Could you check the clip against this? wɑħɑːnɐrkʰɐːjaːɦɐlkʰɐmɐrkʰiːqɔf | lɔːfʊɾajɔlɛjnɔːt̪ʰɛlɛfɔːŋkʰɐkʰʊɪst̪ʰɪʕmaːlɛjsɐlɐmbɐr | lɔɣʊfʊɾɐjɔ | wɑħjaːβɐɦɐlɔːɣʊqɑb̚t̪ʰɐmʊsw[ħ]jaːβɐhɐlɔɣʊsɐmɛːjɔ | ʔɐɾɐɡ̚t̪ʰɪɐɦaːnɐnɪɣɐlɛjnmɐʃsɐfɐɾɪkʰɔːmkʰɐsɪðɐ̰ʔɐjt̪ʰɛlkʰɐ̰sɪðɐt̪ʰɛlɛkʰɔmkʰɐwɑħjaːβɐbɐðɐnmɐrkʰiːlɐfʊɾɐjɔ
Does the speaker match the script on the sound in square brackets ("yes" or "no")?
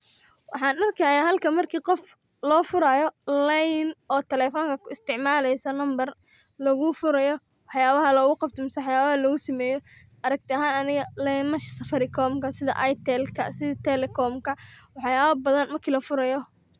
yes